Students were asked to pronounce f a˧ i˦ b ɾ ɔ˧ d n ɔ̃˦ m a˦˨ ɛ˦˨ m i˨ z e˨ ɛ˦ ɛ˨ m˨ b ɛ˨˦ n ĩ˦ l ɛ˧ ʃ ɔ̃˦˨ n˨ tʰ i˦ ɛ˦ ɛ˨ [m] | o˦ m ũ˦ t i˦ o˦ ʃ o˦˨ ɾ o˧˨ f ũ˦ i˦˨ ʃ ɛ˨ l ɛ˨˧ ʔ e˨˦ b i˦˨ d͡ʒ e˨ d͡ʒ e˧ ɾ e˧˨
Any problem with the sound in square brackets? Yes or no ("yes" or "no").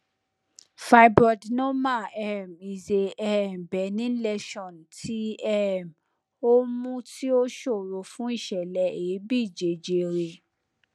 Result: no